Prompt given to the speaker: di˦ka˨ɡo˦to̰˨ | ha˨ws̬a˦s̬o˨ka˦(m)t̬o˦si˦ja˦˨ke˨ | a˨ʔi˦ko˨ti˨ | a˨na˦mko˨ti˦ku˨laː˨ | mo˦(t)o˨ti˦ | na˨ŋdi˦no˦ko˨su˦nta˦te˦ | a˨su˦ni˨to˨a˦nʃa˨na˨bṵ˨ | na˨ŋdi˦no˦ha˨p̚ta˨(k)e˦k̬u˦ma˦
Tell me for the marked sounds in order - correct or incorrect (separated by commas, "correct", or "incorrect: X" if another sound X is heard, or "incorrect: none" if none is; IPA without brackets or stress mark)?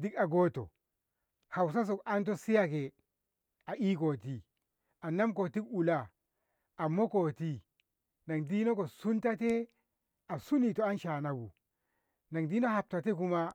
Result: incorrect: n, incorrect: k, incorrect: t